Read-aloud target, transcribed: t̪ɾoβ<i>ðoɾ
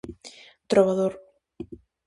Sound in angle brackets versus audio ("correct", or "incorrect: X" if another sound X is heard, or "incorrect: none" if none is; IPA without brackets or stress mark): incorrect: a